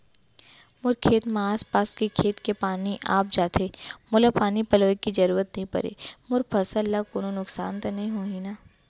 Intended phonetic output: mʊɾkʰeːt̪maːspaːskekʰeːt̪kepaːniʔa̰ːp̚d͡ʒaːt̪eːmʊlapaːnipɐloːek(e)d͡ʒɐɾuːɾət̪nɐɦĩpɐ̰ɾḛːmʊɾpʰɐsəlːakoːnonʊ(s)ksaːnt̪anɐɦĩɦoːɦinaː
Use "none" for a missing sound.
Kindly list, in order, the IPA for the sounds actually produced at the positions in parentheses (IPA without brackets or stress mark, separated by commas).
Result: i, none